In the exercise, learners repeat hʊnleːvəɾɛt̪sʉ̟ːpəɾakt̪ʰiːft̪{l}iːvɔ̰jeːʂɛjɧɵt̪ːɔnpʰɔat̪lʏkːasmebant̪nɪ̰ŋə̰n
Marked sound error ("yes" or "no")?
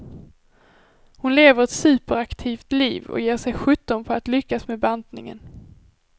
no